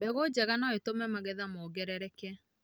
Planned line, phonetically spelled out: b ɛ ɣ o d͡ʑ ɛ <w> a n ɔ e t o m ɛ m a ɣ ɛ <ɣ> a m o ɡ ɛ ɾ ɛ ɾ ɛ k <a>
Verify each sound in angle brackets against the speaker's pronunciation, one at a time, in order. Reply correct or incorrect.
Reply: incorrect: ɣ, incorrect: ð, incorrect: ɛ

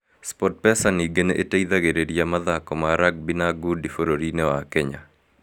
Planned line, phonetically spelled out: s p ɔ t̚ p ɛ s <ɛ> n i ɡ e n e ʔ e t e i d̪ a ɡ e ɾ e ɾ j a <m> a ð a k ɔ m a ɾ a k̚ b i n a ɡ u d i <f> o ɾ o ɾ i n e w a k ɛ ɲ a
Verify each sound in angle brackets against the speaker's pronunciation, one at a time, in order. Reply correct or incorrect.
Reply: incorrect: a, correct, correct

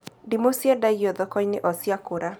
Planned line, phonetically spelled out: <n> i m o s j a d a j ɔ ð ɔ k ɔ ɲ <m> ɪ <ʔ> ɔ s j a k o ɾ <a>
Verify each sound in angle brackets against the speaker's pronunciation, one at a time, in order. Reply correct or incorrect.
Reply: incorrect: d, incorrect: n, correct, correct

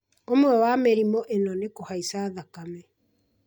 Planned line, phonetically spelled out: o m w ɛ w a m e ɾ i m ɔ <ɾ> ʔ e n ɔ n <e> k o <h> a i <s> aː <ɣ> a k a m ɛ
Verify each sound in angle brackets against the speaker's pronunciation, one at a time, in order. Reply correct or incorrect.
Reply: incorrect: none, correct, correct, correct, incorrect: ð

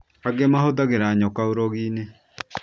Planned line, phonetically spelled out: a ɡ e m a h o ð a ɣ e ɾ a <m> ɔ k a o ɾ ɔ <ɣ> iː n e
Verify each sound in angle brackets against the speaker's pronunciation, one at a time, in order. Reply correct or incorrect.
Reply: incorrect: ɲ, correct

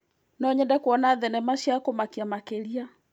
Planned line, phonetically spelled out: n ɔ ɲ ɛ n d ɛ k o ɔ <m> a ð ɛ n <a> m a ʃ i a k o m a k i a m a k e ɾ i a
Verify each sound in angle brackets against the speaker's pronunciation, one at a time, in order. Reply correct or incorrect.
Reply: incorrect: n, incorrect: ɛ

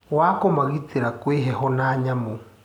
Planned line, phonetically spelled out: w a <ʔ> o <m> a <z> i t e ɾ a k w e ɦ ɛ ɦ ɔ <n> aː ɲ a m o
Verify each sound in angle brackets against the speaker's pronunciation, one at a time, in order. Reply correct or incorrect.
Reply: incorrect: k, correct, incorrect: ɣ, correct

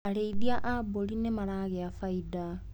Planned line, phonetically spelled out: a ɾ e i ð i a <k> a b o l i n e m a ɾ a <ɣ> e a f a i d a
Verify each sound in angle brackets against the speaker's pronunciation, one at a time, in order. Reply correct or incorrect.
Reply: incorrect: ʔ, correct

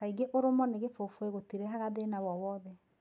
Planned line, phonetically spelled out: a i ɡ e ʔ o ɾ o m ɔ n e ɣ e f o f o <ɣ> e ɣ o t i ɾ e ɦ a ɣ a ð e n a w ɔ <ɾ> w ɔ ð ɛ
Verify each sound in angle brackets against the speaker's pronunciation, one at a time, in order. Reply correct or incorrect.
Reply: incorrect: none, incorrect: none

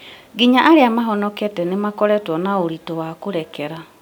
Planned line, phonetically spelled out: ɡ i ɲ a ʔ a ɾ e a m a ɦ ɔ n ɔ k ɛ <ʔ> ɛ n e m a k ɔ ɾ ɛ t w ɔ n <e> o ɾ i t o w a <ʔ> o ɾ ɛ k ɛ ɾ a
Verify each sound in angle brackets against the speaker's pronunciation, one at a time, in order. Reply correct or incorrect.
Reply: incorrect: t, incorrect: a, incorrect: k

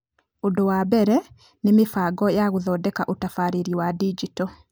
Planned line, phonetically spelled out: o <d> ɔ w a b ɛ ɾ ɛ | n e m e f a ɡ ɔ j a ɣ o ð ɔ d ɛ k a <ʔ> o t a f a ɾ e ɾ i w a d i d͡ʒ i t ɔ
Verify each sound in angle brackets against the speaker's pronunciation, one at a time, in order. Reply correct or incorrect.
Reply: correct, correct

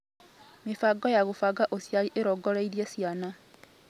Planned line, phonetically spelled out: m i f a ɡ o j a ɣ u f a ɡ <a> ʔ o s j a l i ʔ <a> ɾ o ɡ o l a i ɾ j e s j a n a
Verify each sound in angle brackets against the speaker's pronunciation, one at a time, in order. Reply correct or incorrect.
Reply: correct, incorrect: e

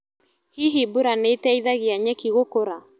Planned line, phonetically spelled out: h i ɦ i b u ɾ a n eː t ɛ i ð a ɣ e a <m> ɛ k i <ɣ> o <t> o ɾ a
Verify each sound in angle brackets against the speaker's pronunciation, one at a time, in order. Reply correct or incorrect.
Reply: incorrect: ɲ, correct, incorrect: k

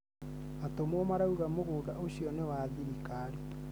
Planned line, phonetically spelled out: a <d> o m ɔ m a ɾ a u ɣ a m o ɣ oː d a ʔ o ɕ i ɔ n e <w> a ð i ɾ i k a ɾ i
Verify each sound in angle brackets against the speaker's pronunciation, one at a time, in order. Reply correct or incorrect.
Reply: incorrect: t, correct

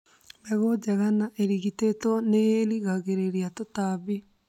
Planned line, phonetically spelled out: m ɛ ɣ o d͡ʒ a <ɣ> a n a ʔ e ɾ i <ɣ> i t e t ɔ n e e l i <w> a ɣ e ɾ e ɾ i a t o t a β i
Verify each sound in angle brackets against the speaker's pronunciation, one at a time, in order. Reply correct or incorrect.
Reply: correct, correct, incorrect: ɣ

